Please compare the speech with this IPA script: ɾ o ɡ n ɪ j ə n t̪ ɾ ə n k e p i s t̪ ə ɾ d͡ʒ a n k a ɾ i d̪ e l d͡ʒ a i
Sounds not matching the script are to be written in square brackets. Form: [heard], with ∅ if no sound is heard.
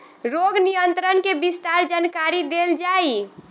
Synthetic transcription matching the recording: ɾ o ɡ n [i] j ə n t̪ ɾ ə n k e [b] i s t̪ [a] ɾ d͡ʒ a n k a ɾ i d̪ e l d͡ʒ a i